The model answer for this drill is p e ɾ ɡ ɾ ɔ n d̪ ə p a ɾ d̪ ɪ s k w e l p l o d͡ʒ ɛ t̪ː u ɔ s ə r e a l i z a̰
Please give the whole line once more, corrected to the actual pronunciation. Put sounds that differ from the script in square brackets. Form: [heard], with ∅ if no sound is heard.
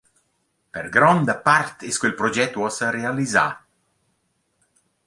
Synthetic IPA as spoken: p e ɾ ɡ ɾ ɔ n d̪ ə p a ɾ [t̪] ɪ s k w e l p [ɾ] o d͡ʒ ɛ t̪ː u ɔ s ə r e a l i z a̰